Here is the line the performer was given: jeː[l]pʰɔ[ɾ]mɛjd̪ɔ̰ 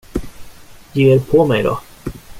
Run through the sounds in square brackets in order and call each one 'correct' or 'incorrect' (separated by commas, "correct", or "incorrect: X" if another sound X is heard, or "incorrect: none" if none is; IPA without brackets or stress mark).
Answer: incorrect: ɾ, incorrect: none